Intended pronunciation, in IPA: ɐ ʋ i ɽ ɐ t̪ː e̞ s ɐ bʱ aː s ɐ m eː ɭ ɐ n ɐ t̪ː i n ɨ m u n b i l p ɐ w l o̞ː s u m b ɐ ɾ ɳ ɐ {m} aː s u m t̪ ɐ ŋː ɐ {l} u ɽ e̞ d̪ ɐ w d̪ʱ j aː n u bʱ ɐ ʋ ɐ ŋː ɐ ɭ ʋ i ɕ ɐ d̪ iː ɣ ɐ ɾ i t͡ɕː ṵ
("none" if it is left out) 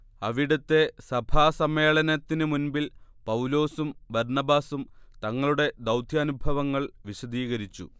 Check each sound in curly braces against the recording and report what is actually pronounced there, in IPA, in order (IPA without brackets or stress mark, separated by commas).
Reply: b, ɭ